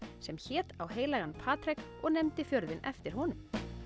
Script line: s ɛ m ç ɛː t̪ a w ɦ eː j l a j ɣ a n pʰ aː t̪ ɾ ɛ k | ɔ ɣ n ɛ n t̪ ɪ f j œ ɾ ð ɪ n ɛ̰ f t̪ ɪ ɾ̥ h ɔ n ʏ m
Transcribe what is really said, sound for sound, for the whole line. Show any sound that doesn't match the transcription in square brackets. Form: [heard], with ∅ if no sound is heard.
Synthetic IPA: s ɛ m ç ɛː t̪ a w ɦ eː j l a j ɣ a n pʰ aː t̪ ɾ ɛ k | ɔ ɣ n ɛ [m] t̪ ɪ f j œ ɾ ð ɪ n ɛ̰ f t̪ ɪ ɾ̥ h ɔ n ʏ m

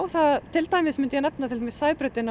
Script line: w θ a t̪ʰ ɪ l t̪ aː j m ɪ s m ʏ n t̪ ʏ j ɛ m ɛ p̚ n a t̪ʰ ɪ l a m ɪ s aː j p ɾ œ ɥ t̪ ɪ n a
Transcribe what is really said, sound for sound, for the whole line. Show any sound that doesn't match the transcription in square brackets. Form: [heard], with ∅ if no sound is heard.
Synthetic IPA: w θ a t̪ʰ ɪ l t̪ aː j m ɪ s m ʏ n t̪ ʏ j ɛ [n] ɛ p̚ n a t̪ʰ ɪ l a m ɪ s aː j p ɾ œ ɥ t̪ ɪ n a

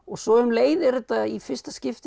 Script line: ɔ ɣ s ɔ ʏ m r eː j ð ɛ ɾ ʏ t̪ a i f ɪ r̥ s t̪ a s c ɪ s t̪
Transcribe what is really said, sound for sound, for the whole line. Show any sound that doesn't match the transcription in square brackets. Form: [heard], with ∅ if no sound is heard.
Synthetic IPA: ɔ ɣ s ɔ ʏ m [l] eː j ð ɛ ɾ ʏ t̪ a i f ɪ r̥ s t̪ a s c ɪ [f] t̪

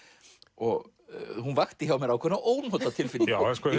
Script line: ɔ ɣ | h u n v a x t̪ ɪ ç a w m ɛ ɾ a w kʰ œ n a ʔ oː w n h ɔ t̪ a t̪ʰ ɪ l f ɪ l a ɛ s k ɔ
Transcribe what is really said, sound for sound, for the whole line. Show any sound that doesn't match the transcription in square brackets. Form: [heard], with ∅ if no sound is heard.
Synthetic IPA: ɔ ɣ | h u n v a x t̪ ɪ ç a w m ɛ ɾ a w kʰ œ n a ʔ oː w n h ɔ t̪ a t̪ʰ ɪ l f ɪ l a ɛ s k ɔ

